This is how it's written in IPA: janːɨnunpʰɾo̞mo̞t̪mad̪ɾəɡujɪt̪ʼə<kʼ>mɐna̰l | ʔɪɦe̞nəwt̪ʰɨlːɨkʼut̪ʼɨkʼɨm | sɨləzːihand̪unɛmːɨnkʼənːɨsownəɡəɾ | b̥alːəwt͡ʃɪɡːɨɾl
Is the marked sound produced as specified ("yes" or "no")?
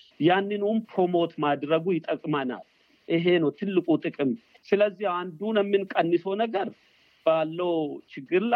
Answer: yes